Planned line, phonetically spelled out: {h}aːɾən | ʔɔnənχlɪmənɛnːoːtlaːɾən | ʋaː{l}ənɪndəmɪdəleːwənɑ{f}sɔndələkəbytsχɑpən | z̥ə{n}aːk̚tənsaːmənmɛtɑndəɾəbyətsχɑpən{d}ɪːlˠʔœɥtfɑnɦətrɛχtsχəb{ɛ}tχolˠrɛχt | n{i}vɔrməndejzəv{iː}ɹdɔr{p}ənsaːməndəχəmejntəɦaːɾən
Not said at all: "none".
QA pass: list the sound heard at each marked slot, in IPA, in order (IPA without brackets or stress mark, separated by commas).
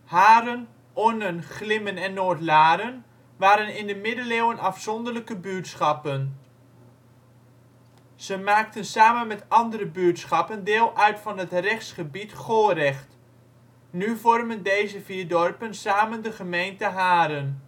h, ɾ, f, m, d, i, y, iː, p